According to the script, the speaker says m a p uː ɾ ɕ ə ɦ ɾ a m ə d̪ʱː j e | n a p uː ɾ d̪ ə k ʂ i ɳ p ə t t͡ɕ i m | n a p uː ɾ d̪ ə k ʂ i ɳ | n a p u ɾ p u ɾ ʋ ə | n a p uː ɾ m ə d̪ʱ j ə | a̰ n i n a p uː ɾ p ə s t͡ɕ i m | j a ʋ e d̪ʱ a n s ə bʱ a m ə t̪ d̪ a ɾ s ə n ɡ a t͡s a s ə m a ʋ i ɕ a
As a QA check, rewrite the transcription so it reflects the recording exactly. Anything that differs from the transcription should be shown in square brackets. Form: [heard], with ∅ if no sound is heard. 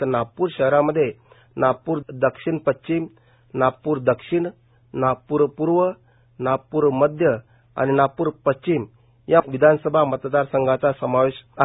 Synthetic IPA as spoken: [n] a p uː ɾ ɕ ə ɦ ɾ a m ə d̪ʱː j e | n a p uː ɾ d̪ ə k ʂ i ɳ p ə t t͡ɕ i m | n a p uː ɾ d̪ ə k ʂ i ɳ | n a p u ɾ p u ɾ ʋ ə | n a p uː ɾ m ə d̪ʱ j ə | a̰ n i n a p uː ɾ p ə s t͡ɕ i m | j a ʋ [i] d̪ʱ a n s ə bʱ a m ə t̪ d̪ a ɾ s ə [ŋ] ɡ a t͡s a s ə m a ʋ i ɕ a